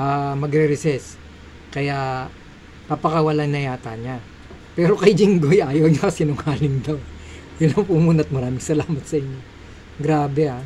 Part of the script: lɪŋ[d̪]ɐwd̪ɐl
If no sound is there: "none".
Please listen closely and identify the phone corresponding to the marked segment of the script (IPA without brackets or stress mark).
d̪